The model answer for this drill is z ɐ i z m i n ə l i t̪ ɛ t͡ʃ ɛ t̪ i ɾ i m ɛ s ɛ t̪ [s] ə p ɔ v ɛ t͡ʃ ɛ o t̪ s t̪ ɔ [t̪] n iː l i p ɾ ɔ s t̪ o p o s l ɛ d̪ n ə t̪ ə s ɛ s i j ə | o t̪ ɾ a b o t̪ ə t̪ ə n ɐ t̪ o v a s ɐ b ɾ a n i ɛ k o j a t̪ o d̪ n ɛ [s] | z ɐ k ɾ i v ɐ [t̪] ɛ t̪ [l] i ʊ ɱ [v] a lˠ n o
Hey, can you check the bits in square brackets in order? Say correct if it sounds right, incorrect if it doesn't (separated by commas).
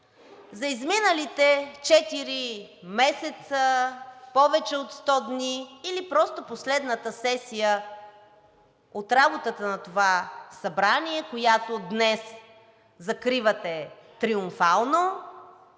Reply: correct, incorrect, correct, correct, incorrect, incorrect